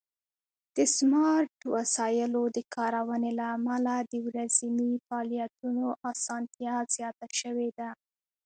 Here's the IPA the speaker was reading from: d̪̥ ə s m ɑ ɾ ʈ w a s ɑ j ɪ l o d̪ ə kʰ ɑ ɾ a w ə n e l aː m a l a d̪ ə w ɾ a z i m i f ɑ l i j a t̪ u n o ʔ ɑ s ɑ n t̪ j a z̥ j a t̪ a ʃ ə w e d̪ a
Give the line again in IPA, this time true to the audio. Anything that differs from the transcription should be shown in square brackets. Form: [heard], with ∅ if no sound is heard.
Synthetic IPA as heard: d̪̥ ə s m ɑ ɾ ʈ w a s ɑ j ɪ l o d̪ ə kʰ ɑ ɾ a w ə n e l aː m a l a d̪ ə w ɾ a z i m i f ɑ l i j a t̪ u n o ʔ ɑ s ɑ n t̪ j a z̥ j [ɑ] t̪ a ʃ ə w e d̪ a

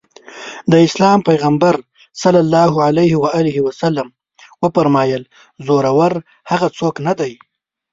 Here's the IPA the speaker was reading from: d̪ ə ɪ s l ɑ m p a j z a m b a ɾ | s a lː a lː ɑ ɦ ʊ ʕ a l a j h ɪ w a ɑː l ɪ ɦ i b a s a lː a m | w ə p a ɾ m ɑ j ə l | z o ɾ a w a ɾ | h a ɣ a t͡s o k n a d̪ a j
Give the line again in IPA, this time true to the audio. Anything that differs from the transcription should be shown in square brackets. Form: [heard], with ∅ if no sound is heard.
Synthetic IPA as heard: d̪ ə ɪ s l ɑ m p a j [ɣ] a m b a ɾ | s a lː a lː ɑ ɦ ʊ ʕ a l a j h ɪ w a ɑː l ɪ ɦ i [w] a s a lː a m | w ə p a ɾ m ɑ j ə l | z o ɾ a w a ɾ | h a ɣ a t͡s o k n a d̪ a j

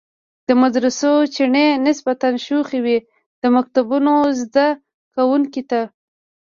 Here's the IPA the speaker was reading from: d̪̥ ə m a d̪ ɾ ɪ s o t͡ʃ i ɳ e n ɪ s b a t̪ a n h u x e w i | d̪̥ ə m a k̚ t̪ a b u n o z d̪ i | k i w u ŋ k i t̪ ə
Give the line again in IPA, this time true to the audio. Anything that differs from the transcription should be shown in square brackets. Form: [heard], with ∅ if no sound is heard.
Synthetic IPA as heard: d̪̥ ə m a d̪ ɾ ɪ s o t͡ʃ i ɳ e n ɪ s b a t̪ a n [ʃ] u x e w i | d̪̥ ə m a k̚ t̪ a b u n o z d̪ [a] | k [a] w u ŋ k i t̪ [a]

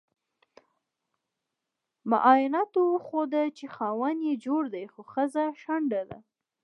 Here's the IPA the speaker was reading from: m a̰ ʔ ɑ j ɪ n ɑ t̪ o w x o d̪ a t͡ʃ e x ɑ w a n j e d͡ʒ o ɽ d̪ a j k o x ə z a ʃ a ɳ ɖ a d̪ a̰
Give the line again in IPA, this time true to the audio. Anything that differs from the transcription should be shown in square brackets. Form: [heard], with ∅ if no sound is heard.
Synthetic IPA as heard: m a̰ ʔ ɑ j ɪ n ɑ t̪ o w x o d̪ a t͡ʃ e x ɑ w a n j e d͡ʒ o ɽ d̪ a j [x] o x ə z a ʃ a ɳ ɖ a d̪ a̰

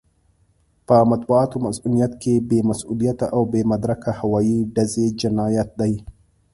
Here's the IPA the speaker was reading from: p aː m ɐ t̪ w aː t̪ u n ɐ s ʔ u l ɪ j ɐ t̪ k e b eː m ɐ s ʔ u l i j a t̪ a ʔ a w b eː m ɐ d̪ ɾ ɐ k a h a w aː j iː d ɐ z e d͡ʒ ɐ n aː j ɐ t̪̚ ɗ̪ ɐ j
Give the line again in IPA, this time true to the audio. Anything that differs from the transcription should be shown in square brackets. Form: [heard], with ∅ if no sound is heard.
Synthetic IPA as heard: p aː m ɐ t̪ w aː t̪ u [m] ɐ s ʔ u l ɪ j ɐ t̪ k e b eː m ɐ s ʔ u l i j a t̪ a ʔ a w b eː m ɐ d̪ ɾ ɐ k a h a w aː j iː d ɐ z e d͡ʒ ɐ n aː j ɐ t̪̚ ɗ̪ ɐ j

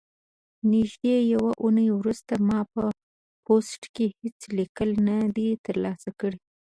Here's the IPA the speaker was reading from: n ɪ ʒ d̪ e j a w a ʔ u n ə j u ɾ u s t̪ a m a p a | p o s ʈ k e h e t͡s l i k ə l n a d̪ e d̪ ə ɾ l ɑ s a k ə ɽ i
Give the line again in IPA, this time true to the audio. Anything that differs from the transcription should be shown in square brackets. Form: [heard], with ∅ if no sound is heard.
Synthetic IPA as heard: n ɪ ʒ d̪ e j a w a ʔ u n ə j [w] ɾ u s t̪ a m [ɑ] p [ə] | p o s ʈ k e h e t͡s l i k ə l n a d̪ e [t̪] ə ɾ l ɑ s a k ə ɽ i

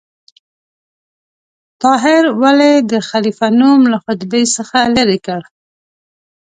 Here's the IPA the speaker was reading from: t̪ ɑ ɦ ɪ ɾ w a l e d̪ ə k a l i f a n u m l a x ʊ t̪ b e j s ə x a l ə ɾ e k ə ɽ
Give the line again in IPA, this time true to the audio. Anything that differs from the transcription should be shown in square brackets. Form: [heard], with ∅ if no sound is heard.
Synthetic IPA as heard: t̪ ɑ ɦ ɪ ɾ w a l e d̪ ə [x] a l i f a n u m l a x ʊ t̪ b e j s ə x a l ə ɾ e k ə ɽ

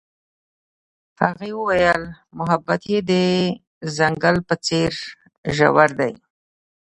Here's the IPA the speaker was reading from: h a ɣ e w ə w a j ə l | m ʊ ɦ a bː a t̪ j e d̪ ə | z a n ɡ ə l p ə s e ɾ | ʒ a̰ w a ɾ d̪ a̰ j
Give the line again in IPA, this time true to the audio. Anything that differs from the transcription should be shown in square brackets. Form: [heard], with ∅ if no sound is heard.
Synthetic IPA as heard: h a ɣ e w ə w a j ə l | m ʊ ɦ a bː a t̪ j e d̪ ə | z a [ŋ] ɡ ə l p ə [t͡s] e ɾ | ʒ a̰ w a ɾ d̪ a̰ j

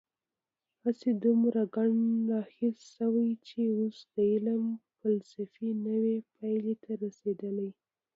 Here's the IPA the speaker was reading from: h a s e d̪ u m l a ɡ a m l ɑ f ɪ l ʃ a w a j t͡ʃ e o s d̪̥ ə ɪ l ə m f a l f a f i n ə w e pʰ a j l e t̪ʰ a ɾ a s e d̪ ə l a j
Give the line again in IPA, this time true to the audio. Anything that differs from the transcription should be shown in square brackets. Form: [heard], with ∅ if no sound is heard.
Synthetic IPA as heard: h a s e d̪ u m [ɾ] a ɡ a [ɳ] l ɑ [x] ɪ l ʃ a w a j t͡ʃ e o s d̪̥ ə ɪ l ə m f a l [s] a f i n ə w e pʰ a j l e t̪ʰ a ɾ a s e d̪ ə l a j

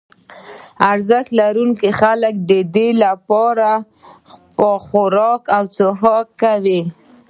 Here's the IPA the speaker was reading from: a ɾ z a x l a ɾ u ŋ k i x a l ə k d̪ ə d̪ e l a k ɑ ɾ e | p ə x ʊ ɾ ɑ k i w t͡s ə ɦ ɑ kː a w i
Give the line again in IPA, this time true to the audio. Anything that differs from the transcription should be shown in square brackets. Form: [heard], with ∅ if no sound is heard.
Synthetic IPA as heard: a ɾ z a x l a ɾ u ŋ k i x a l ə k d̪ ə d̪ e l a [p] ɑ ɾ [a] | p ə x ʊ ɾ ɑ k [a] w t͡s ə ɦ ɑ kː a w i

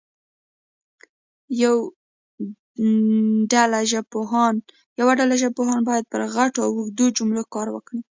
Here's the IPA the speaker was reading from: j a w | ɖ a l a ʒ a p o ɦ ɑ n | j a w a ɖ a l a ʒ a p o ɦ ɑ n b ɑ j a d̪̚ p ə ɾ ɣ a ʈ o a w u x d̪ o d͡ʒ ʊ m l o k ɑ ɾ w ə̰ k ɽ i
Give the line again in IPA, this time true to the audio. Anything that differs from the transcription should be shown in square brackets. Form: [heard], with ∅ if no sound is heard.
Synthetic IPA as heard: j a w | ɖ a l a ʒ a p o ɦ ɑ n | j a w a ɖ a l a ʒ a p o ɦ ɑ n b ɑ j a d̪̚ p ə ɾ ɣ a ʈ o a w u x d̪ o d͡ʒ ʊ m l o k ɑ ɾ w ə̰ k ɽ i

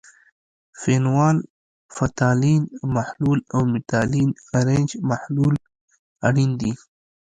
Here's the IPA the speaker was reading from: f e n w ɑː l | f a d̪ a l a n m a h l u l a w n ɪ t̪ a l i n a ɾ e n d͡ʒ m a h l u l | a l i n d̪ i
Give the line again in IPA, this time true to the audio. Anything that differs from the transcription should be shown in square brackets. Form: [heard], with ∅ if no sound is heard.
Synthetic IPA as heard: f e n w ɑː l | f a [t̪] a l [i] n m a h l u l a w [m] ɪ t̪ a l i n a ɾ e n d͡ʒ m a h l u l | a [ɽ] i n d̪ i

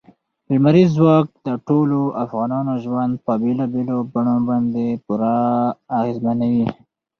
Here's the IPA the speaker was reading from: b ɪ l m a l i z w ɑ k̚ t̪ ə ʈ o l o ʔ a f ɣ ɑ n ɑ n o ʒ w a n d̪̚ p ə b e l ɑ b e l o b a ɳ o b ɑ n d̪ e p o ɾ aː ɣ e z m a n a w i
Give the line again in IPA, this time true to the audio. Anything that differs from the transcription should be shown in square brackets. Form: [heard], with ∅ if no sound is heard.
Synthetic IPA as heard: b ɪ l m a [ɾ] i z w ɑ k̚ [d̪] ə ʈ o l o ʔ a f ɣ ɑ n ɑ n o ʒ w a n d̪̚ p ə b e l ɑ b e l o b a ɳ o b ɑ n d̪ e p [u] ɾ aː ɣ e z m a n a w i

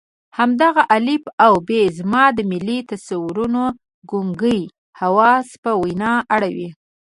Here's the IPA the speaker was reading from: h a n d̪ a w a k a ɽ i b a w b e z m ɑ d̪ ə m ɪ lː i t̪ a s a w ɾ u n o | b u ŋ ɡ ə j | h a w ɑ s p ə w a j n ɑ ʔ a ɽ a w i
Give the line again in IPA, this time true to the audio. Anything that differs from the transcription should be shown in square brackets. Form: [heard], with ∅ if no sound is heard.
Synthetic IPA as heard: h a [m] d̪ a [ɣ] a [ʔ] a [l] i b a w b e z m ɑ d̪ ə m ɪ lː i t̪ a s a w ɾ u n o | [ɡ] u ŋ ɡ ə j | h a w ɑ s p ə w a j n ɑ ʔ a ɽ a w i

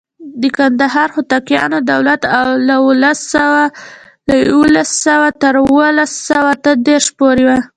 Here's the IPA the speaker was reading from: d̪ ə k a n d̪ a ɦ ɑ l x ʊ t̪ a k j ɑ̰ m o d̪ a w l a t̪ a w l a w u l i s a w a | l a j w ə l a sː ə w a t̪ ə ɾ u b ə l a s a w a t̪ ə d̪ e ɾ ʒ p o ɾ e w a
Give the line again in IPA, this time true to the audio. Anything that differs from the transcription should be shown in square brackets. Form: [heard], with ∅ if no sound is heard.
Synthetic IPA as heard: d̪ ə k a n d̪ a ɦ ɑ [ɾ] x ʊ t̪ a k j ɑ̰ [n] o d̪ a w l a t̪ a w l a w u l [a] s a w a | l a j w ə l a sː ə w a t̪ ə ɾ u [w] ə l a s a w a t̪ ə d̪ e ɾ [ʃ] p o ɾ e w a

